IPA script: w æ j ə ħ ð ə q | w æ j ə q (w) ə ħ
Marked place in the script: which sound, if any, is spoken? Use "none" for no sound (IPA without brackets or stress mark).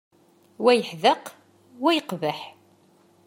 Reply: v